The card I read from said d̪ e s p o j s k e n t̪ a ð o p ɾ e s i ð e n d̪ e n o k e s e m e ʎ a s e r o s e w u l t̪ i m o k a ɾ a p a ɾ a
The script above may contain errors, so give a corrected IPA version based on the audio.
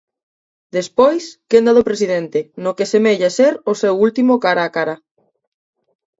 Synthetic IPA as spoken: d̪ e s p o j s k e n d̪ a ð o p ɾ e s i ð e n t̪ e n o k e s e m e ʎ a s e ɾ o s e w u l t̪ i m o k a ɾ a k a ɾ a